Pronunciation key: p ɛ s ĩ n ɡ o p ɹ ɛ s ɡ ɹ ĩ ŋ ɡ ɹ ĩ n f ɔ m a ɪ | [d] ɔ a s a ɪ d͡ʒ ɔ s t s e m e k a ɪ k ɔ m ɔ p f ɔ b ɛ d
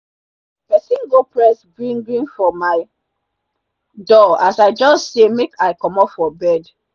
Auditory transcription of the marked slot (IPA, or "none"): d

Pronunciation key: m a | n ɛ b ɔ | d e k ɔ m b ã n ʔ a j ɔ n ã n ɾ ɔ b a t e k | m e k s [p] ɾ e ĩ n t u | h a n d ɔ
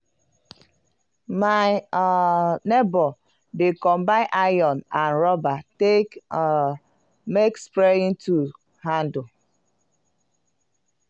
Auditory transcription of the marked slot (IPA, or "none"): p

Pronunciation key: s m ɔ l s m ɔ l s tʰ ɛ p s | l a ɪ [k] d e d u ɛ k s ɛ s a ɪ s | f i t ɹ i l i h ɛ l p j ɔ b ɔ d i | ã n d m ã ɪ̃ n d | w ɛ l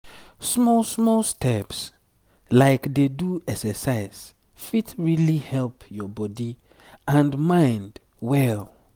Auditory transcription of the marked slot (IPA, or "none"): k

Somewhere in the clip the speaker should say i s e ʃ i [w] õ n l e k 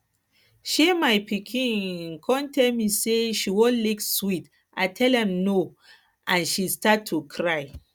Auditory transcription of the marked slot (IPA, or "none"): w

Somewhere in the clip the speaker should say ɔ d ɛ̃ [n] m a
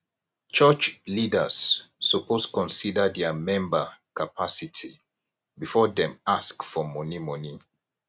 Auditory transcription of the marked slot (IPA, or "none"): none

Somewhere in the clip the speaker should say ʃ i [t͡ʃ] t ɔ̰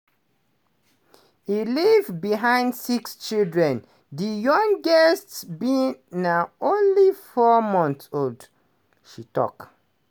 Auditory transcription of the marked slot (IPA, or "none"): none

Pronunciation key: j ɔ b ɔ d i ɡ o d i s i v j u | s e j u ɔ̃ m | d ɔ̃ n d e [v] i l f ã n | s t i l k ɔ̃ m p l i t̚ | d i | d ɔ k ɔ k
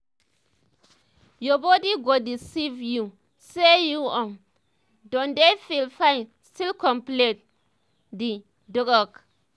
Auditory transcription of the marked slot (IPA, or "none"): f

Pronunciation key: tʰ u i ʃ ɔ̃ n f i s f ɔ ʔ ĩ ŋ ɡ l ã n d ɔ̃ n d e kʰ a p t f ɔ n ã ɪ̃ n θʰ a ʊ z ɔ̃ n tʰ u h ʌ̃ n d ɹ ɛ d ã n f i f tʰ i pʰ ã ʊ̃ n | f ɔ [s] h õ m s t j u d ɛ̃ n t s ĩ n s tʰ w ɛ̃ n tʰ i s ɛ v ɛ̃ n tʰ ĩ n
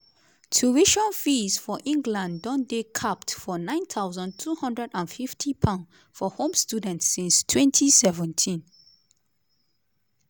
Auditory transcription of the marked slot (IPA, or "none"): none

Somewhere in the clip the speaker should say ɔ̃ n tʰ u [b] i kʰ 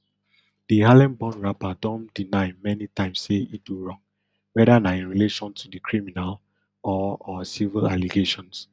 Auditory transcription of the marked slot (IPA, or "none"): d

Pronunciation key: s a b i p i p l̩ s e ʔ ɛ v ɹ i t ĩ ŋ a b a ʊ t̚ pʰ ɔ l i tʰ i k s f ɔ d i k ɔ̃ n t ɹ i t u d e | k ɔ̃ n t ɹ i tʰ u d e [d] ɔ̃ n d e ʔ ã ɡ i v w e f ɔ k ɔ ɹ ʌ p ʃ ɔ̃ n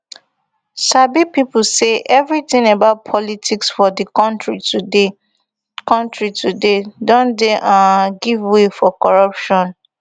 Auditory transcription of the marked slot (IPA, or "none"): d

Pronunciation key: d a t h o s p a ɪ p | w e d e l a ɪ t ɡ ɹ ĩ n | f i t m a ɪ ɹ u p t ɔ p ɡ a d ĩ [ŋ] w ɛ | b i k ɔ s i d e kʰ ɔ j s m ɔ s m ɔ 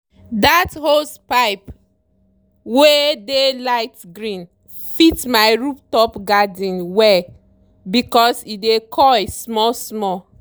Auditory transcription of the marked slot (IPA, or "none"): n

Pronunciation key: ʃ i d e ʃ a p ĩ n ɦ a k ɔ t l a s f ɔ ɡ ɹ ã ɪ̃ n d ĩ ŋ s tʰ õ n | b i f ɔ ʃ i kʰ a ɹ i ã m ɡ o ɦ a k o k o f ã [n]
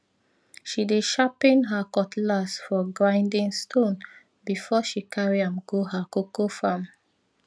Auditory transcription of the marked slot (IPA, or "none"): m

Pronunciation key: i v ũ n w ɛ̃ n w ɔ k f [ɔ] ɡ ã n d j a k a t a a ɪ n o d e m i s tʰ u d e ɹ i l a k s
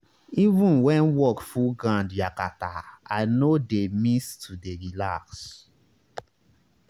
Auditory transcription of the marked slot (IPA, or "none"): u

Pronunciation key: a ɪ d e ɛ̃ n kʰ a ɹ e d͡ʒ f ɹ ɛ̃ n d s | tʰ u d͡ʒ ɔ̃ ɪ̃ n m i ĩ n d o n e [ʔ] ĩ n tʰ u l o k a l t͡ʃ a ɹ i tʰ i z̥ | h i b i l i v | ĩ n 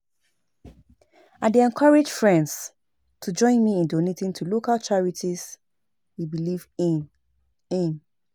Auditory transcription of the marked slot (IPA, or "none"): t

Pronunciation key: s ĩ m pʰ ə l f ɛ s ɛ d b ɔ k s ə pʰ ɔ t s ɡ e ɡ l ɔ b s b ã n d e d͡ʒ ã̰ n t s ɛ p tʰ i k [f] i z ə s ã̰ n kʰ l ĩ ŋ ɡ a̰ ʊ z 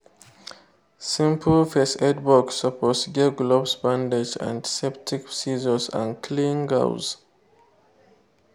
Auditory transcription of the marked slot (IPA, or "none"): s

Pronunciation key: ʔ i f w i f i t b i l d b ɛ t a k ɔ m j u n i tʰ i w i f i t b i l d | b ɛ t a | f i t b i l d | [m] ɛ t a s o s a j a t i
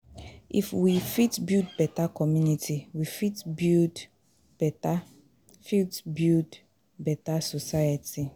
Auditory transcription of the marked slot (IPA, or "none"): b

